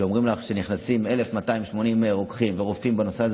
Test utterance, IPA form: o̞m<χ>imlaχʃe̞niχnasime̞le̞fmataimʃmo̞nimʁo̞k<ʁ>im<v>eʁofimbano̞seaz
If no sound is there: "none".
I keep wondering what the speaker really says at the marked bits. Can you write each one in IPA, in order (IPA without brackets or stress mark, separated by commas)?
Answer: ʁ, χ, v